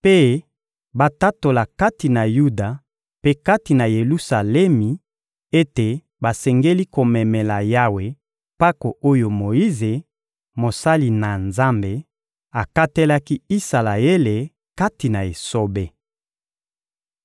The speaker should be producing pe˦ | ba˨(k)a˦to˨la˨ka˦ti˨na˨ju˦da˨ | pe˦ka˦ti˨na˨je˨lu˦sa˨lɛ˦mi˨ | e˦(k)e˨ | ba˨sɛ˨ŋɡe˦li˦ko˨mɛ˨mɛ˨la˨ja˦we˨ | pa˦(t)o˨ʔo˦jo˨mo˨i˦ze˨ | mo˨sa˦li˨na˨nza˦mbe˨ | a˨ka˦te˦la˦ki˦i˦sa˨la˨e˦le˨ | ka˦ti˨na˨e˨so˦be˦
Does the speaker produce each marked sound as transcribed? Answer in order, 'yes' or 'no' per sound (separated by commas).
no, no, no